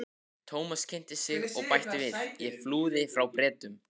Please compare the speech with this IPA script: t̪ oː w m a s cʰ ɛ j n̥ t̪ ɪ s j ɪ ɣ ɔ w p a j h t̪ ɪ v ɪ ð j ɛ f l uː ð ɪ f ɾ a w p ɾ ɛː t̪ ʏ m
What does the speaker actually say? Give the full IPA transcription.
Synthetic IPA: t̪ʰ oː w m a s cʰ ɛ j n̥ t̪ ɪ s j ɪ ɣ ɔ ɣ p a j h t̪ ɪ v ɪ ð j ɛ f l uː ð ɪ f ɾ a w p ɾ ɛː t̪ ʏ m